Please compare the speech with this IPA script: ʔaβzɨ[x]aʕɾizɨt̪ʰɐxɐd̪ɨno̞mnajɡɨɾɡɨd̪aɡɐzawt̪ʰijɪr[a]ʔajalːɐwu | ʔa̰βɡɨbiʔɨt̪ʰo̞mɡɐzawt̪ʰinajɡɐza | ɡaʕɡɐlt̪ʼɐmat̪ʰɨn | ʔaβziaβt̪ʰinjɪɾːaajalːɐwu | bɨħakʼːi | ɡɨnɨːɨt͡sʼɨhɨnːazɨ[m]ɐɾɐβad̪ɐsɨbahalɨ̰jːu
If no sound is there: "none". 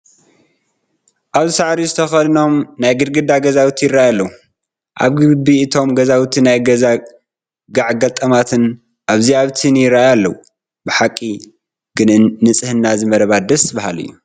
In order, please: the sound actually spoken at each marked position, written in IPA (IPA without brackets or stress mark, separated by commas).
s, a, m